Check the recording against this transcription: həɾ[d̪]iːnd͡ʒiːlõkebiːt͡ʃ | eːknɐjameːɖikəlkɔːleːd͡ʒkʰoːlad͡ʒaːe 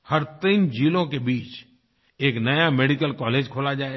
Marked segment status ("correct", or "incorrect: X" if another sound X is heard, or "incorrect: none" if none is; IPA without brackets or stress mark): incorrect: t̪